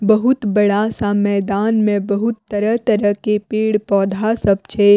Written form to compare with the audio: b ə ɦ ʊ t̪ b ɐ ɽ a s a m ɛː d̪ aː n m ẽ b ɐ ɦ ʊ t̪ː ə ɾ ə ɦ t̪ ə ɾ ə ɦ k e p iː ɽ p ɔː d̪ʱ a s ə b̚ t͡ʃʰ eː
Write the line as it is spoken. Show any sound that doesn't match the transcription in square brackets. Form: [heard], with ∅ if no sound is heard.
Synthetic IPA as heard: b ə ɦ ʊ t̪ b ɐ ɽ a s a m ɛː d̪ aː n m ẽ b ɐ ɦ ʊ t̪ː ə ɾ ə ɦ t̪ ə ɾ ə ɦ k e p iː ɽ p ɔː d̪ʱ a s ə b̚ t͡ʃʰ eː